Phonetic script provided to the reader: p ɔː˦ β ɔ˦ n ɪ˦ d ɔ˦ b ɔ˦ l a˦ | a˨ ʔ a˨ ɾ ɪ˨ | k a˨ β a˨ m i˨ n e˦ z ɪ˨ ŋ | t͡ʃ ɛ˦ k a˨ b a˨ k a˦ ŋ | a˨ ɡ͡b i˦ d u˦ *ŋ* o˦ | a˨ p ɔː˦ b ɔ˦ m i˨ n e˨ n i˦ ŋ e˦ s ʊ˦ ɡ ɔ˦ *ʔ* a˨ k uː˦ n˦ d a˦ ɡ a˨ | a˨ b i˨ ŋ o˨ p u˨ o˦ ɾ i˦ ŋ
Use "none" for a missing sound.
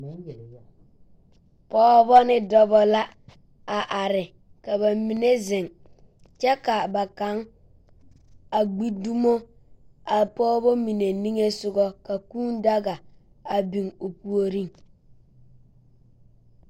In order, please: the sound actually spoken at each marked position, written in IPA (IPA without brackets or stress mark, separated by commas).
m, k